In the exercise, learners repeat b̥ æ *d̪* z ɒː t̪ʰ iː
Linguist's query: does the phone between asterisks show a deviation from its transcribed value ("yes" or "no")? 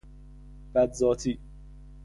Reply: no